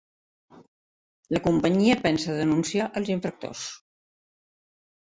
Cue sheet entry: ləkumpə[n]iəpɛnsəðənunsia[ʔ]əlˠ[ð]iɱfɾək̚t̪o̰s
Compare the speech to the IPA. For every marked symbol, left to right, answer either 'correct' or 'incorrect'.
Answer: incorrect, correct, incorrect

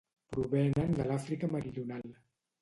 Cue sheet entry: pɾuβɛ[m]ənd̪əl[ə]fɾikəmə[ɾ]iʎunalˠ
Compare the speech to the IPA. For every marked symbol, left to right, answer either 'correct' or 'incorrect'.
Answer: incorrect, incorrect, correct

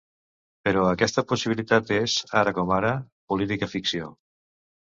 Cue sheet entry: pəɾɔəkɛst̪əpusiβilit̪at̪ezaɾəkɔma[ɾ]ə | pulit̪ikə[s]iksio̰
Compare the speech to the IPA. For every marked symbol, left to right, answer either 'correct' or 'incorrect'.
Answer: correct, incorrect

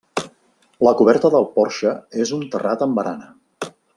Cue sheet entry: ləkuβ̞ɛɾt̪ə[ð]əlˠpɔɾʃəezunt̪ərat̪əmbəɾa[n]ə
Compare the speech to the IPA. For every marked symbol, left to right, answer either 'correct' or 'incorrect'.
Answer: correct, correct

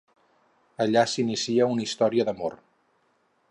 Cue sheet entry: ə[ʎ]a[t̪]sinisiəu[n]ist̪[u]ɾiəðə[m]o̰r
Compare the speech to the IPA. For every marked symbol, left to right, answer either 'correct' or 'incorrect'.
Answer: correct, incorrect, correct, incorrect, correct

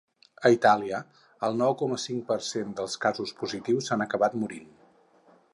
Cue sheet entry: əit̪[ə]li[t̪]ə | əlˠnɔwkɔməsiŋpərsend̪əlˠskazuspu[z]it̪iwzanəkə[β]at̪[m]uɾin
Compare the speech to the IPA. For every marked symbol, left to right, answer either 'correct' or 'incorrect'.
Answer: incorrect, incorrect, correct, correct, correct

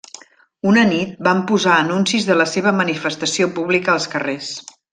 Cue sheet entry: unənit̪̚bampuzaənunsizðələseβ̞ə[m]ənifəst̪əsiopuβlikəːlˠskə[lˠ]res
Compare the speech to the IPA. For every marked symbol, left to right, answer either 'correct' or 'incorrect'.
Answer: correct, incorrect

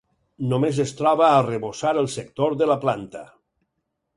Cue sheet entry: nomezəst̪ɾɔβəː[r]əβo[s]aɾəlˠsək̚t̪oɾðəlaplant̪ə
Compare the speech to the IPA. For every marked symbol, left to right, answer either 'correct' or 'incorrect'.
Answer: correct, correct

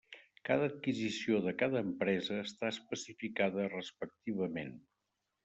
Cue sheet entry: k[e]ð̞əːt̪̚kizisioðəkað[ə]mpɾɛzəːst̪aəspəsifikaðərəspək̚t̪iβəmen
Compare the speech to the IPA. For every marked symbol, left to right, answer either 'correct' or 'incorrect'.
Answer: incorrect, incorrect

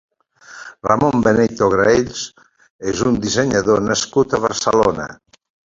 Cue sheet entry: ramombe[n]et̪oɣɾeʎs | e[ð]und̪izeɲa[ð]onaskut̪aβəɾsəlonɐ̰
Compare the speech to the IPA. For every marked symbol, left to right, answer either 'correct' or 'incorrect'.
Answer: correct, incorrect, correct

